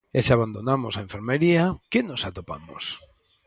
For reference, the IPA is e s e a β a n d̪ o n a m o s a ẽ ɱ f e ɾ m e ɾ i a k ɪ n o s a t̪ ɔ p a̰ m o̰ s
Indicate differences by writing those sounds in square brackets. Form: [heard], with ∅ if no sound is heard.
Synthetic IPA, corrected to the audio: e s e a β a n d̪ o n a m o s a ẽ ɱ f e ɾ m e ɾ i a k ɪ n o s a t̪ [o] p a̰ m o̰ s